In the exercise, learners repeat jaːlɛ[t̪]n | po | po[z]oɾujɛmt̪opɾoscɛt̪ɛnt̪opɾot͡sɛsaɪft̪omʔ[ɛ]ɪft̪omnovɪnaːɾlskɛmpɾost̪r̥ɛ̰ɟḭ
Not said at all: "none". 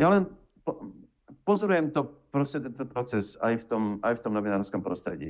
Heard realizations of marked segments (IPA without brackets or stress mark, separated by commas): none, z, a